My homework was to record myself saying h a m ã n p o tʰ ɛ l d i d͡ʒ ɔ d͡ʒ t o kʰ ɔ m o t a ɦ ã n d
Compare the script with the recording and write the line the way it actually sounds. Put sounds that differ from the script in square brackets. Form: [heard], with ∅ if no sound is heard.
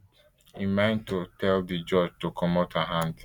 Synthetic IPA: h [i] m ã n [t] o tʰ ɛ l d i d͡ʒ ɔ d͡ʒ t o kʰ ɔ m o t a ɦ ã n d